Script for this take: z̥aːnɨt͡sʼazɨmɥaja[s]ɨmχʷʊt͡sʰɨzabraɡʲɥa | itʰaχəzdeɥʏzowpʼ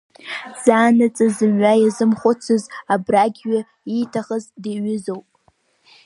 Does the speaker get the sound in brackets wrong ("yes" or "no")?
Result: yes